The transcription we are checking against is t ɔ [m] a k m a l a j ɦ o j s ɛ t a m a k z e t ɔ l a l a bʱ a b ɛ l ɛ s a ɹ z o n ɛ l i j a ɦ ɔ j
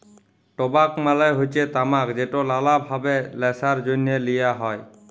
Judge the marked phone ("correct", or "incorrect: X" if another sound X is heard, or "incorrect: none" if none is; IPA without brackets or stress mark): incorrect: b